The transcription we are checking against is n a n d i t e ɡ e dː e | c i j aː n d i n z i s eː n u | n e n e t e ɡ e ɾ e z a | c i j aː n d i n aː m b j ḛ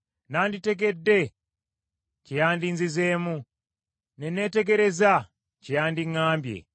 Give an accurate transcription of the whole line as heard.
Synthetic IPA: n a n d i t e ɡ e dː e | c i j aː n d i n z i z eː m u | n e n e t e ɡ e ɾ e z a | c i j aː n d i ŋ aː m b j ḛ